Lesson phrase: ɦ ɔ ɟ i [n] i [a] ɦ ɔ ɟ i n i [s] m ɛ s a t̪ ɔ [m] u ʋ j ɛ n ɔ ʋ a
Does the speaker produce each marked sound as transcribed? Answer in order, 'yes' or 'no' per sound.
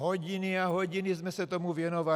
yes, yes, no, yes

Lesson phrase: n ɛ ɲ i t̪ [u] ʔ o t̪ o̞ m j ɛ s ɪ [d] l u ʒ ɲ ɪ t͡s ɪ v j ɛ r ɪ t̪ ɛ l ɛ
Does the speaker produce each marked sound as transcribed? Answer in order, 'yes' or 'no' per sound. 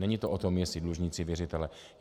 no, yes

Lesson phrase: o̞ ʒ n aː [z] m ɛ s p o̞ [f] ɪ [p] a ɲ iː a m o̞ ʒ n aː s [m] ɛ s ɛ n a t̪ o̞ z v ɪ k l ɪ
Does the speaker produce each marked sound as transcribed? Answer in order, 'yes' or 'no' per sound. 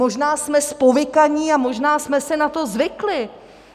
no, no, no, yes

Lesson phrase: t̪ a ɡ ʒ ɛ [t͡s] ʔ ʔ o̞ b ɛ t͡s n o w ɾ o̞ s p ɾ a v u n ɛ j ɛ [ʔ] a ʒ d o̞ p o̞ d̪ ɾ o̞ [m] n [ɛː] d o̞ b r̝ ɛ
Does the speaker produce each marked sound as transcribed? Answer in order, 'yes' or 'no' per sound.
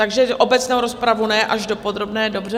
no, yes, no, yes

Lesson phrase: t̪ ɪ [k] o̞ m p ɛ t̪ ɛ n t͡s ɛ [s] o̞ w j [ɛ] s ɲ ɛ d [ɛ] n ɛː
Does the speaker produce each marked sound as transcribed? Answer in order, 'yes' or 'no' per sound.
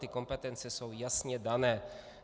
yes, yes, no, no

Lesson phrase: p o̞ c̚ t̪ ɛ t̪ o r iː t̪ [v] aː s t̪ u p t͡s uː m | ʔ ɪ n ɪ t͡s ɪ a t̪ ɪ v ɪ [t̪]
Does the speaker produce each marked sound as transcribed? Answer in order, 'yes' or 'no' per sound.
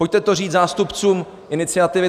no, no

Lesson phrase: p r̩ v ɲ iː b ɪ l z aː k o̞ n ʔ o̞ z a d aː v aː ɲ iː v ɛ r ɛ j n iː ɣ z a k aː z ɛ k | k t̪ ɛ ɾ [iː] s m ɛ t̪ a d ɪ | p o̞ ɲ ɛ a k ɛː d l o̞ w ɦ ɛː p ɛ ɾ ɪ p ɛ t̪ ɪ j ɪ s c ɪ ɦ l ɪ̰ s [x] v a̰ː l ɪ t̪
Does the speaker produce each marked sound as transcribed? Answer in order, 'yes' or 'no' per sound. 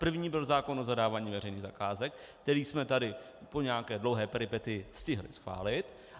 yes, yes

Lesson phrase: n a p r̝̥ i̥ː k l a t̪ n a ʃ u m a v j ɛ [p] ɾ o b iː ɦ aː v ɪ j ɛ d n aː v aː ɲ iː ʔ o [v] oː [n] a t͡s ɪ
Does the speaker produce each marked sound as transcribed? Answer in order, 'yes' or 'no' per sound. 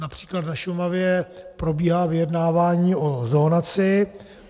yes, no, yes

